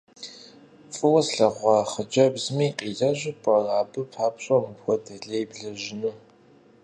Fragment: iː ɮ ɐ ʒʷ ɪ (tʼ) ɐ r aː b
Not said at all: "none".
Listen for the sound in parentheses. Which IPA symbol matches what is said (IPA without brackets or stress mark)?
pʼ